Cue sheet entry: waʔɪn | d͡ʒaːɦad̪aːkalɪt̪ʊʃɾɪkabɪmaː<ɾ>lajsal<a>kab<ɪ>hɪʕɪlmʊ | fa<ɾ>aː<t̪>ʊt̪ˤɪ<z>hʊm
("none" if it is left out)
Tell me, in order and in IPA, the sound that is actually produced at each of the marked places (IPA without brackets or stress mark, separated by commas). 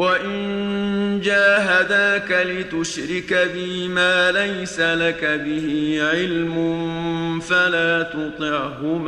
none, a, ɪ, l, t̪, ʕ